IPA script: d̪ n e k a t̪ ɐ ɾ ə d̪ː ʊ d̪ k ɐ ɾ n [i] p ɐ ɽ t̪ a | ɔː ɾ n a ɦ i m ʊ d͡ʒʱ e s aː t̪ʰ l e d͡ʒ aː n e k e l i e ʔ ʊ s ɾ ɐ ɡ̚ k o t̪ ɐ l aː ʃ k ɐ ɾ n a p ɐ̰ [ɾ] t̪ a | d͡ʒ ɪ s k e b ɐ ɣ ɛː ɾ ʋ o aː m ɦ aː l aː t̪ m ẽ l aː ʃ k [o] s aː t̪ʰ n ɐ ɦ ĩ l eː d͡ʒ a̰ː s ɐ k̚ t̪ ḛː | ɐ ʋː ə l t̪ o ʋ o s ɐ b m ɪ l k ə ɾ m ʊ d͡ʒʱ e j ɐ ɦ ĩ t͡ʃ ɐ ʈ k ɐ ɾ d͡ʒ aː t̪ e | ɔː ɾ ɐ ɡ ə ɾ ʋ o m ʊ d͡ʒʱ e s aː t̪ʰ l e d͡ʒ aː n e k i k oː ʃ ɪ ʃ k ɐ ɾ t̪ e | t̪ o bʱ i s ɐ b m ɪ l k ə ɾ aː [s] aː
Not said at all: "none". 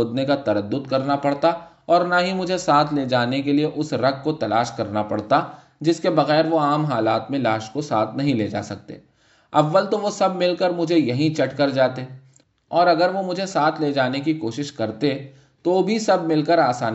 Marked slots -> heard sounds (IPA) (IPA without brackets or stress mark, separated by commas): a, ɽ, o, s